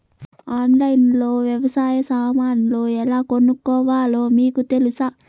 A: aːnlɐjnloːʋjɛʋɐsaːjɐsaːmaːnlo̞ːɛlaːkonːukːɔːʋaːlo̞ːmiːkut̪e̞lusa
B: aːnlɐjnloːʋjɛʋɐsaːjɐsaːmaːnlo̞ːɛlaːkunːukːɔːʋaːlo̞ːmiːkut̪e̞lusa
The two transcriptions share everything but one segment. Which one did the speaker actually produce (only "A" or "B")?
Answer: A